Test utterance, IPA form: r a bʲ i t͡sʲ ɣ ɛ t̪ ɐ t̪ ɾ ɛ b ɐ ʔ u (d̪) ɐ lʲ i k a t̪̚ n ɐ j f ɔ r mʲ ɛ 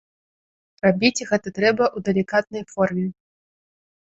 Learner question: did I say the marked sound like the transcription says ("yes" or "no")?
yes